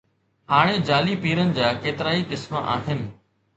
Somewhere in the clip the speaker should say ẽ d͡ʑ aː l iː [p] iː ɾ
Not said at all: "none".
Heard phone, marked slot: p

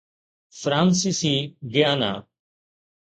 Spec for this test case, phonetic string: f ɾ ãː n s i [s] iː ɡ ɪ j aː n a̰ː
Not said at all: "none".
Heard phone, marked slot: s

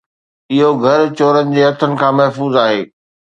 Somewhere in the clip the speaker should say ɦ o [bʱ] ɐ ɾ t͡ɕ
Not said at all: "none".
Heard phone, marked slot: ɡʱ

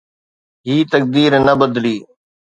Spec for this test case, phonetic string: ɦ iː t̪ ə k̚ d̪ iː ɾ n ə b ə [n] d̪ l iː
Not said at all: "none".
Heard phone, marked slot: none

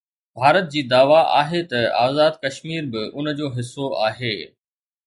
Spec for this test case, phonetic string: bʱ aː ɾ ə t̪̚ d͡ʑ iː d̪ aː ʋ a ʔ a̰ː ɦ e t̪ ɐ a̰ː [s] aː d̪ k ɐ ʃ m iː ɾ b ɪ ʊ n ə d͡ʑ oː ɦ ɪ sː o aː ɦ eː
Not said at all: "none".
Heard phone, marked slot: z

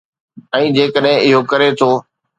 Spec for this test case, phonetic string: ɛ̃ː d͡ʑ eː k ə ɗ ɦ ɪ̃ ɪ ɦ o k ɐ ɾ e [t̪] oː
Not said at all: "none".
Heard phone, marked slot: t̪ʰ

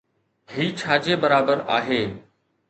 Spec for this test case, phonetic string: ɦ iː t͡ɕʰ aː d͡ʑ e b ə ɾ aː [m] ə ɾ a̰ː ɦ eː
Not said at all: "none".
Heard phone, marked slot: b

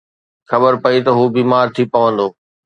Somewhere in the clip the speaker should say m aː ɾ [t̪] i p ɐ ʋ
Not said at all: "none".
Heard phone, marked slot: t̪ʰ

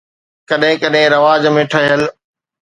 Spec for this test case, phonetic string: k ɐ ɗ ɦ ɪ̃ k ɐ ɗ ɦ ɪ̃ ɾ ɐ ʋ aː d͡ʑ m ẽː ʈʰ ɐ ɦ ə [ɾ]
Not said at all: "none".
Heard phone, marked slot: l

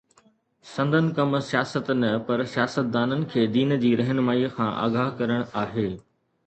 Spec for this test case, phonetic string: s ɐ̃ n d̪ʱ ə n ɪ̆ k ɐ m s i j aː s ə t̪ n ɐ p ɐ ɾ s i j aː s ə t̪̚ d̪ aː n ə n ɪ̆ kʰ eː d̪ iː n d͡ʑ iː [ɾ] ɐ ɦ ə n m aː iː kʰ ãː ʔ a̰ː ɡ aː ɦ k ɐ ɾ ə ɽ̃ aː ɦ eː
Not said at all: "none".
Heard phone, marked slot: ɾ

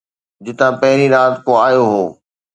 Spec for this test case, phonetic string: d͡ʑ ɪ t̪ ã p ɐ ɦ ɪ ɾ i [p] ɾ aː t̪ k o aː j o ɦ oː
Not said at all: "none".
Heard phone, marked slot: none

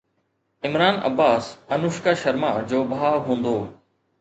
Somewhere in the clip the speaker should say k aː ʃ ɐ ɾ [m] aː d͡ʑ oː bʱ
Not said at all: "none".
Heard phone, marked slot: m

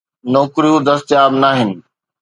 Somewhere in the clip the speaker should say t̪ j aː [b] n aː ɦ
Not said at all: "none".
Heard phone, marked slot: b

